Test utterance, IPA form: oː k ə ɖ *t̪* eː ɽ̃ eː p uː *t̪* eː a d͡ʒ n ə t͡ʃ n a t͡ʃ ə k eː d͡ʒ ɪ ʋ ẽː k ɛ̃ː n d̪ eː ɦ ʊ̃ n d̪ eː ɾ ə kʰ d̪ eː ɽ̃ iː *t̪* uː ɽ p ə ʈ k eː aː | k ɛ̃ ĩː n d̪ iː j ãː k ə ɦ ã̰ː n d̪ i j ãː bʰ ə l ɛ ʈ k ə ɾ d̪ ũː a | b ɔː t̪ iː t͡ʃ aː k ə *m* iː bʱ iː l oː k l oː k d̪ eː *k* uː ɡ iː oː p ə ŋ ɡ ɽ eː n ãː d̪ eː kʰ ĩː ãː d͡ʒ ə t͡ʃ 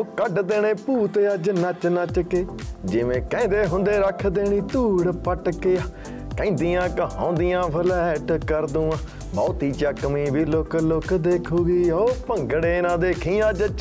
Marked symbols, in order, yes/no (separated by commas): no, yes, yes, yes, no